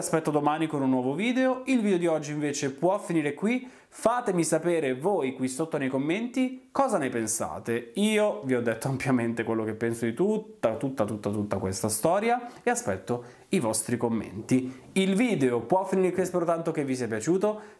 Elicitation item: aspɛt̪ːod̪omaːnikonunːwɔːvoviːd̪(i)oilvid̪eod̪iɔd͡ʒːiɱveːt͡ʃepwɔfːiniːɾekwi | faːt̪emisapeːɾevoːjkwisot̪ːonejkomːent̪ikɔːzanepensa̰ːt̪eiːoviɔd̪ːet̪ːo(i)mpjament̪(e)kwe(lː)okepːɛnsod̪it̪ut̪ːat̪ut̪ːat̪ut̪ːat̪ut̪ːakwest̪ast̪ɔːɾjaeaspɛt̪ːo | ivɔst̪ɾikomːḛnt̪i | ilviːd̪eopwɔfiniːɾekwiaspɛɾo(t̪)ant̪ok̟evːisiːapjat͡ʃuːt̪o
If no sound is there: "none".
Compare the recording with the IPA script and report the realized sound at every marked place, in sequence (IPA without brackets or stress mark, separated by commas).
e, a, e, lː, t̪